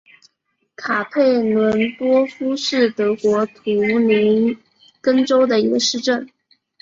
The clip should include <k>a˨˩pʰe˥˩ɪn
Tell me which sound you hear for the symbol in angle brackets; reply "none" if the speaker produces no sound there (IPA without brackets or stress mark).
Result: kʰ